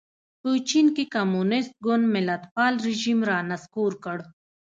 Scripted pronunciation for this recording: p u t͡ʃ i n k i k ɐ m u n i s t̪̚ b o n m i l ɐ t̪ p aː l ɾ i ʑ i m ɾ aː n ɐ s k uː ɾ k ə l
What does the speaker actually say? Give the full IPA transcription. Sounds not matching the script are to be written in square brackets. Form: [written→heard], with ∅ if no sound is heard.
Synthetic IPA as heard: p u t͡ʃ i n k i k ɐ m u n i s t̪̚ [b→ɡ] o n m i l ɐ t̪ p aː l ɾ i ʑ i m ɾ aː n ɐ s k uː ɾ k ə [l→ɽ]